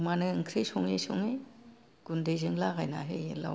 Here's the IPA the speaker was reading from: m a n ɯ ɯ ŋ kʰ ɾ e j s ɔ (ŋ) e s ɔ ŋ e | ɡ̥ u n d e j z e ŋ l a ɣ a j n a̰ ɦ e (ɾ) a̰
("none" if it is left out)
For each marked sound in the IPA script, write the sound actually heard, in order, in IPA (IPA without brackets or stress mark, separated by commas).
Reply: ŋ, l